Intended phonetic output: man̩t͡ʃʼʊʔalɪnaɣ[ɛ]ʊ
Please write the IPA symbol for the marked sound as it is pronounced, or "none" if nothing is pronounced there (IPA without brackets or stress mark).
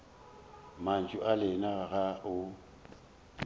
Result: a